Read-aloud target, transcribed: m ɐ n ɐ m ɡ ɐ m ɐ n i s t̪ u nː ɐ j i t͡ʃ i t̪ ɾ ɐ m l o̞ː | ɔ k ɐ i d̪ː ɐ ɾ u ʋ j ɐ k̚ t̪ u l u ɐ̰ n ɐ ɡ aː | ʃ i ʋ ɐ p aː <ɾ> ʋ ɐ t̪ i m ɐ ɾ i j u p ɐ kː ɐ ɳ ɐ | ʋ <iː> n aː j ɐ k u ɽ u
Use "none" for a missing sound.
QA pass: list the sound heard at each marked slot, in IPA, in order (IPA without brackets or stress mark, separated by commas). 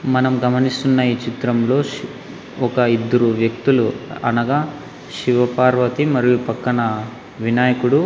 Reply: ɾ, i